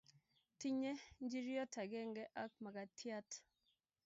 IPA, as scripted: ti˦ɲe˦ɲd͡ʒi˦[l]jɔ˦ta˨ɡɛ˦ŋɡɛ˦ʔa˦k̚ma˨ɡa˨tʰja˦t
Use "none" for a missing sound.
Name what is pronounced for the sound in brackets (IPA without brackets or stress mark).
ɾ